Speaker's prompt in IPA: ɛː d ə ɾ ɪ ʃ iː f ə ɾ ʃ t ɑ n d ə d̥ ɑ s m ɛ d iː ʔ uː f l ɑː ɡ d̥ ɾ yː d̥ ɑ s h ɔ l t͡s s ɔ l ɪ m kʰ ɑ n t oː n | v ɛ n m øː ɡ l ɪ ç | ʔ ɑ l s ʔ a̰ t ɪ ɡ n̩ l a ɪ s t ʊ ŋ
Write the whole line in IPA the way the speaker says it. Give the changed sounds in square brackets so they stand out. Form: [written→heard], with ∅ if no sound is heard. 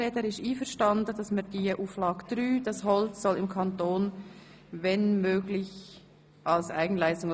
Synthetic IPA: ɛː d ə ɾ ɪ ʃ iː f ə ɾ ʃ t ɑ n d ə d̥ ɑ s m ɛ d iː ʔ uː f l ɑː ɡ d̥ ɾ yː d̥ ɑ s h ɔ l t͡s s ɔ l ɪ m kʰ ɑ n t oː n | v ɛ n m øː ɡ l ɪ ç | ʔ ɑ l s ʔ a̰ [t→∅] ɪ ɡ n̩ l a ɪ s t ʊ ŋ

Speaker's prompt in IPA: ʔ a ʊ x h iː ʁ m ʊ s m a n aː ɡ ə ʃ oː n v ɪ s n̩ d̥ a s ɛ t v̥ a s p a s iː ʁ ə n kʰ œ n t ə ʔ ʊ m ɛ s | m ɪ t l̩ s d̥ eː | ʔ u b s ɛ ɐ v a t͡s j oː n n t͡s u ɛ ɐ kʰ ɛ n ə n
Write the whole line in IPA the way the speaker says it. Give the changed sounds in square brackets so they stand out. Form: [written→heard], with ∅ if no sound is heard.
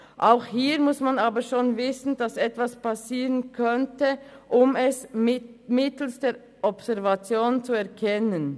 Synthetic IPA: ʔ a ʊ x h iː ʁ m ʊ s m a n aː [ɡ→b] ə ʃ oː n v ɪ s n̩ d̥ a s ɛ t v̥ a s p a s iː ʁ ə n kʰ œ n t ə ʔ ʊ m ɛ s | m ɪ t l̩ s d̥ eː | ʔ [u→ɔ] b s ɛ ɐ v a t͡s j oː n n t͡s u ɛ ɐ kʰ ɛ n ə n

